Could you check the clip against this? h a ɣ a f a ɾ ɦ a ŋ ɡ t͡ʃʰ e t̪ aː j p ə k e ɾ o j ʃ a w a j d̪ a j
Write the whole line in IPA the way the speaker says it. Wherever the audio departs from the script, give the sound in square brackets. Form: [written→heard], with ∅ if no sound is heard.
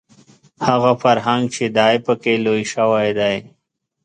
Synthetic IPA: h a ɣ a f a ɾ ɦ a ŋ ɡ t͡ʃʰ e [t̪→d̪] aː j p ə k e [ɾ→l] o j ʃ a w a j d̪ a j